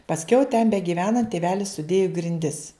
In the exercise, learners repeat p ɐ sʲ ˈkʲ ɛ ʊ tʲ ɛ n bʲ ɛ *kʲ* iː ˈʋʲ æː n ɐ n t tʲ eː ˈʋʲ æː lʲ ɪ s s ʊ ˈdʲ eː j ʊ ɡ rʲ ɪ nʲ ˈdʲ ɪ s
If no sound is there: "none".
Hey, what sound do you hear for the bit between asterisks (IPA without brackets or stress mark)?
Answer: ɡʲ